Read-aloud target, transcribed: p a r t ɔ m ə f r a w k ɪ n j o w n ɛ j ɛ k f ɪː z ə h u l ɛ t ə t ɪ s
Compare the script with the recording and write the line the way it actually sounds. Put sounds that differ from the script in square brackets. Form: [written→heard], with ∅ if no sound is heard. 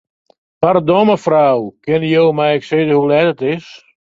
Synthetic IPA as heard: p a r [t→d] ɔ m ə f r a w k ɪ n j o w [n→m] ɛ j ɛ k [f→s] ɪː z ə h u l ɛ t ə t ɪ s